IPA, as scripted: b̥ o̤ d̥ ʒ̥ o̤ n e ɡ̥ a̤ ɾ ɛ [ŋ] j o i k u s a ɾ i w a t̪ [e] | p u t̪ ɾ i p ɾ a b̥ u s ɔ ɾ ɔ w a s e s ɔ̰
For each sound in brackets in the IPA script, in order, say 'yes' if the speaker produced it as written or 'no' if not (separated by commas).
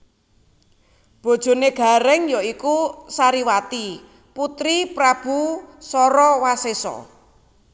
yes, no